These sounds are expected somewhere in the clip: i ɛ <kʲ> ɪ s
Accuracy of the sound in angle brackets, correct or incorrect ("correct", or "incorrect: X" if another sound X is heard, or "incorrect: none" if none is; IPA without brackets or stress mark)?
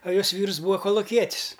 incorrect: tʲ